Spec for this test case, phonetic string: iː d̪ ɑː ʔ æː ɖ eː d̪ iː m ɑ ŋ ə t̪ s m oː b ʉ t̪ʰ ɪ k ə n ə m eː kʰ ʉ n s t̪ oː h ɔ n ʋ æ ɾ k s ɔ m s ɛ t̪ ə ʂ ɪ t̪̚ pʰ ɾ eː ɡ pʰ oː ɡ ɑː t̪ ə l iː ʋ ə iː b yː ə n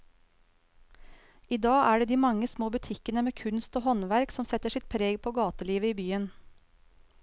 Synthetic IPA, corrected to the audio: iː d̪ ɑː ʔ æː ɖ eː d̪ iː m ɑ ŋ ə s m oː b ʉ t̪ʰ ɪ k ə n ə m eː kʰ ʉ n s t̪ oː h ɔ n ʋ æ ɾ k s ɔ m s ɛ t̪ ə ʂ ɪ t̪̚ pʰ ɾ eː ɡ pʰ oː ɡ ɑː t̪ ə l iː ʋ ə iː b yː ə n

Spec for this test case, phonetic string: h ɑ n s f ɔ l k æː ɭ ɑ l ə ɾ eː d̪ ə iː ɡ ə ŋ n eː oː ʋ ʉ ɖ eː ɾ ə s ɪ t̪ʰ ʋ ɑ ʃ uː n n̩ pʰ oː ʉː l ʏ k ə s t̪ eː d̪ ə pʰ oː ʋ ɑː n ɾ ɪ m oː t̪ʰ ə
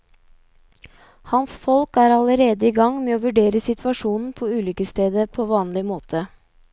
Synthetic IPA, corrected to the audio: h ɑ n s f ɔ l k æː ɾ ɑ l ə ɾ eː d̪ ə iː ɡ ɑ ŋ m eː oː ʋ ʉ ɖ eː ɾ ə s ɪ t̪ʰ ʋ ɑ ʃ uː n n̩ pʰ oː ʉː l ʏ k ə s t̪ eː d̪ ə pʰ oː ʋ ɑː n l ɪ m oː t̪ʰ ə

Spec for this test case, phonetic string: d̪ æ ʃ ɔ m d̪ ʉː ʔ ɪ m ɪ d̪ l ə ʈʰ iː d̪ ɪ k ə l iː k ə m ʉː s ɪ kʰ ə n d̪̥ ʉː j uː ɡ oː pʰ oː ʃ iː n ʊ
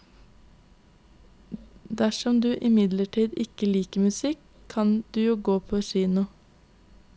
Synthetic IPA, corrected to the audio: d̪ æ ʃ ɔ m d̪ ʉː ʔ ɪ m ɪ d̪ l ə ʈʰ iː d̪ ɪ k ə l iː k ə m ʉ s ɪ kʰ ɑ n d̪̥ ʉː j uː ɡ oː pʰ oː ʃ iː n ʊ

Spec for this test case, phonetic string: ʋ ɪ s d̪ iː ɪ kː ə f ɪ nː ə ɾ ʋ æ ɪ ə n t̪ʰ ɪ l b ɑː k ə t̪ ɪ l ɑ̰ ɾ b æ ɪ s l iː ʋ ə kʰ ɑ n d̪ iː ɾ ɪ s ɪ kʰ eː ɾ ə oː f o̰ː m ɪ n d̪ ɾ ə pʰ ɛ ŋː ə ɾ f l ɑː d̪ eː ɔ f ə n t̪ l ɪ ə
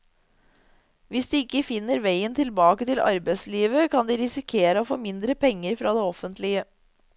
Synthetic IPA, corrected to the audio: ʋ ɪ s d̪ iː ɪ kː ə f ɪ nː ə ɾ ʋ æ ɪ ə n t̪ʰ ɪ l b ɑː k ə t̪ ɪ l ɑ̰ ɾ b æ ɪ s l iː ʋ ə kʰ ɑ n d̪ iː ɾ ɪ s ɪ kʰ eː ɾ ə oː f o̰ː m ɪ n d̪ ɾ ə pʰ ɛ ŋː ə ɾ f ɾ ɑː d̪ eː ɔ f ə n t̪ l ɪ ə

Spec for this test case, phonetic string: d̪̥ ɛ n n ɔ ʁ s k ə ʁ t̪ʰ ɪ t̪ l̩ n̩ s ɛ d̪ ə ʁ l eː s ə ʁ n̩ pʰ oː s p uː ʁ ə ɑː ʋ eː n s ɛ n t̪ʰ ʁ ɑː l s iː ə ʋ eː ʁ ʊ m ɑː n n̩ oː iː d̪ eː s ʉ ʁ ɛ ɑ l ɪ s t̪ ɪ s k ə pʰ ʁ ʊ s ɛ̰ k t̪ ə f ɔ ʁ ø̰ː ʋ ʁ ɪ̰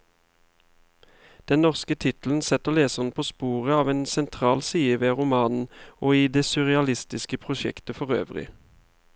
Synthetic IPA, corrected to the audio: d̪̥ ɛ n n ɔ ʁ s k ə t̪ʰ ɪ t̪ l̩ n̩ s ɛ t̪ ə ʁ l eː s ə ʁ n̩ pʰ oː s p uː ʁ ə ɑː ʋ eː n s ɛ n t̪ʰ ʁ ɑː l s iː ə ʋ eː ʁ ʊ m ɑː n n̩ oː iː d̪ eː s ʉ ʁ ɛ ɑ l ɪ s t̪ ɪ s k ə pʰ ʁ ʊ ʃ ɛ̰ k t̪ ə f ɔ ʁ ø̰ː ʋ ʁ ɪ̰

